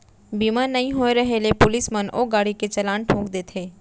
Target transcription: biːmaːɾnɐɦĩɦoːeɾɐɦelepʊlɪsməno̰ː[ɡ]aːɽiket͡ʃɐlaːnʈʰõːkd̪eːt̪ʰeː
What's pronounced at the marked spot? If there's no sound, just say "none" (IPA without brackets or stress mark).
ɡ